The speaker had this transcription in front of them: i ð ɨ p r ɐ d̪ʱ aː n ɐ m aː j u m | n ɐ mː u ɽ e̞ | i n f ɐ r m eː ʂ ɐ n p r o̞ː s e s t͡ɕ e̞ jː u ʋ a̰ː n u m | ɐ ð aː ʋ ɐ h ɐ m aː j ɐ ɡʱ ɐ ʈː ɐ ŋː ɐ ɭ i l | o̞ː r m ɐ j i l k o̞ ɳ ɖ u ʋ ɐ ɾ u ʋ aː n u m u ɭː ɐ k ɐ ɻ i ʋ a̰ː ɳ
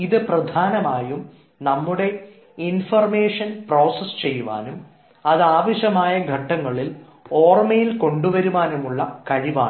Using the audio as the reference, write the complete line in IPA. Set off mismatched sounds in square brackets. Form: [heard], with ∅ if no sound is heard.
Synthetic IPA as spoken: i ð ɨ p r ɐ d̪ʱ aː n ɐ m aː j u m | n ɐ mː u ɽ e̞ | i n f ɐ r m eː ʂ ɐ n p r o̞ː s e s t͡ɕ e̞ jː u ʋ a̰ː n u m | ɐ ð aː ʋ ɐ [ɕ] ɐ m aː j ɐ ɡʱ ɐ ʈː ɐ ŋː ɐ ɭ i l | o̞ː r m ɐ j i l k o̞ ɳ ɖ u ʋ ɐ ɾ u ʋ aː n u m u ɭː ɐ k ɐ ɻ i ʋ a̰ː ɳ